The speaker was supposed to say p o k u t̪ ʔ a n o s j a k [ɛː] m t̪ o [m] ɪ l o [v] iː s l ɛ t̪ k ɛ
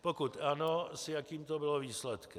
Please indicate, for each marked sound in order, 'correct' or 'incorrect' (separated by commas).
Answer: incorrect, incorrect, correct